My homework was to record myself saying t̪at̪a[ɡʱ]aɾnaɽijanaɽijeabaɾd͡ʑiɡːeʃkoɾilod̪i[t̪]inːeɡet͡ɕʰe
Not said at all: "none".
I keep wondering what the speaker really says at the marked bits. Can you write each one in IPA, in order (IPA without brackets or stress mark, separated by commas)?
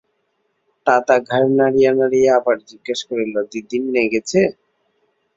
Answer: ɡʱ, d̪